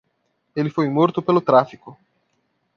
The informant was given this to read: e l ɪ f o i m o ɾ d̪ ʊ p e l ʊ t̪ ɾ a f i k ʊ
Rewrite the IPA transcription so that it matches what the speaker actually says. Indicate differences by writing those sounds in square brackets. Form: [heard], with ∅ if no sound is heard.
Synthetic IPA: e l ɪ f o [j] m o ɾ [t̪] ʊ p e l ʊ t̪ ɾ a f i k ʊ

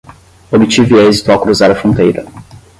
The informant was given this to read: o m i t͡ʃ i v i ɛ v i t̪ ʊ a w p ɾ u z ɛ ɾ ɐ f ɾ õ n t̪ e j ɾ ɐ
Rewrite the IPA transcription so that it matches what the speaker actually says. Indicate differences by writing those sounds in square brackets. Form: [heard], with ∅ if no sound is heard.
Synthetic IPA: o [b] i t͡ʃ i v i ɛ [z] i t̪ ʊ a w [k] ɾ u z [a] ɾ ɐ f ɾ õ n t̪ e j ɾ ɐ

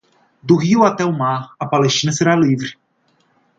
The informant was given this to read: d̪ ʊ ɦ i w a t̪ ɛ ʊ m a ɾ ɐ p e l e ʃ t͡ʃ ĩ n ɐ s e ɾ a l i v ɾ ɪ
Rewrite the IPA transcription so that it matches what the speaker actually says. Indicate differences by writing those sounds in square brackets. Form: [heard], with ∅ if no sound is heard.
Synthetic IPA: d̪ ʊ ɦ i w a t̪ ɛ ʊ m a ɾ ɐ p [a] l e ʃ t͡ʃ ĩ n ɐ s e ɾ a l i v ɾ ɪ

